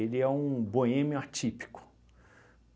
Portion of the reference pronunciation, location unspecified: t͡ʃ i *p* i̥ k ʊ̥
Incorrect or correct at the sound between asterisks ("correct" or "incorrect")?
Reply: correct